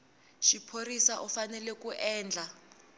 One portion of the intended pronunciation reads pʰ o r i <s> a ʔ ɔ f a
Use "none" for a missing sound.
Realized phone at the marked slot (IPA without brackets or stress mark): s